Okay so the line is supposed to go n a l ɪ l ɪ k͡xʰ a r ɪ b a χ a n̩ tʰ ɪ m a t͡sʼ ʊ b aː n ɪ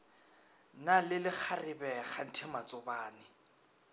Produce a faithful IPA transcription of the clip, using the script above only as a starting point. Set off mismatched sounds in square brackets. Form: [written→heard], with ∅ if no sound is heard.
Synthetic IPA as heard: n a l ɪ l ɪ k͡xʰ a r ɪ b [a→ɛ] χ a n̩ tʰ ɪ m a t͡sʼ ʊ b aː n ɪ